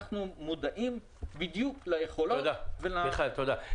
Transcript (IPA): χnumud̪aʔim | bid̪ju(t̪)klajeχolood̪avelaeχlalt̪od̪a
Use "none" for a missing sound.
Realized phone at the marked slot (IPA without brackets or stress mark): none